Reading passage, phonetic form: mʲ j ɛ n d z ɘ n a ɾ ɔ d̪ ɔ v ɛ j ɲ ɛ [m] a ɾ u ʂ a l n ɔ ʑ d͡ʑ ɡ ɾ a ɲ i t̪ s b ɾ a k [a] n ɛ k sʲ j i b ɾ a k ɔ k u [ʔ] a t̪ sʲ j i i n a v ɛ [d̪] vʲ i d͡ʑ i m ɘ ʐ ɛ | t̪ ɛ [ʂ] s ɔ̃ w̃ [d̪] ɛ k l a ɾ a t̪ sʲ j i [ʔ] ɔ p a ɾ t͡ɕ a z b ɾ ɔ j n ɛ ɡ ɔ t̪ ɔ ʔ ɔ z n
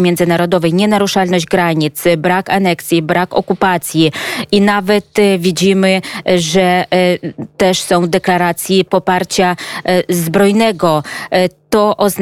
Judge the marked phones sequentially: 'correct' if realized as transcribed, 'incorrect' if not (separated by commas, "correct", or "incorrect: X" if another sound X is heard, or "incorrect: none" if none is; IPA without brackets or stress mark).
incorrect: n, correct, incorrect: p, incorrect: t̪, correct, correct, incorrect: p